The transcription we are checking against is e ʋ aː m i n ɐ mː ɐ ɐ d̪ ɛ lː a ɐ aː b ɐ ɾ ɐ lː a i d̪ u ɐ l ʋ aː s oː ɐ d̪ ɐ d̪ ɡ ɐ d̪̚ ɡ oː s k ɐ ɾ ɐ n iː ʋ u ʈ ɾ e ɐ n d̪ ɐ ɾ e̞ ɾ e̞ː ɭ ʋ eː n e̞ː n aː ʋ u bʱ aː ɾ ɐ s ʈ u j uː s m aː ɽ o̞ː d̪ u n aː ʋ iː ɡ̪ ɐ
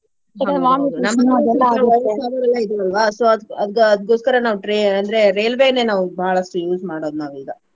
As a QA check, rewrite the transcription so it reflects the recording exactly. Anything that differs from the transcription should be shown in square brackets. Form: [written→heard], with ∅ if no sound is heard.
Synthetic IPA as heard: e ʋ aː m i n ɐ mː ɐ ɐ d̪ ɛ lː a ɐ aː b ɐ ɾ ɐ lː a i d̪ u ɐ l ʋ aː s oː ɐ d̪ ɐ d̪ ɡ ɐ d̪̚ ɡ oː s k ɐ ɾ ɐ n [iː→aː] ʋ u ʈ ɾ e ɐ n d̪ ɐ ɾ e̞ ɾ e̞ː [ɭ→l] ʋ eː n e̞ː n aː ʋ u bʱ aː [ɾ→ɭ] ɐ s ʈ u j uː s m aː ɽ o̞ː d̪ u n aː ʋ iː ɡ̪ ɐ